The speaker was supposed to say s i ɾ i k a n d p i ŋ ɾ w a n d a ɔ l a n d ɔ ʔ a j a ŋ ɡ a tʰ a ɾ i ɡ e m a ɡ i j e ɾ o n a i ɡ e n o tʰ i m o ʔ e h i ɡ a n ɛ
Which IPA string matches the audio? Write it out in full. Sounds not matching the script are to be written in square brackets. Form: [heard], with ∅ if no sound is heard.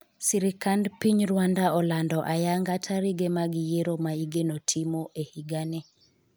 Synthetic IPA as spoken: s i ɾ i k a n d p i [ɲ] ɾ w a n d a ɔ l a n d ɔ ʔ a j a ŋ ɡ a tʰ a ɾ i ɡ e m a ɡ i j e ɾ o [m] a i ɡ e n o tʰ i m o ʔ e h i ɡ a n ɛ